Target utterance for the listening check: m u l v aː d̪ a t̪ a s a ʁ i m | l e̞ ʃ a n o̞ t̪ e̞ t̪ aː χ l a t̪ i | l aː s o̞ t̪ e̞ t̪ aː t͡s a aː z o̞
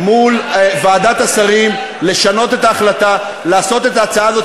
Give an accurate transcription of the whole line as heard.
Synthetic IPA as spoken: m u l v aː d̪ a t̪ a s a ʁ i m | l e̞ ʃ a n o̞ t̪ e̞ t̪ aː χ l a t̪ a | l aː s o̞ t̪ e̞ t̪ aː t͡s a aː z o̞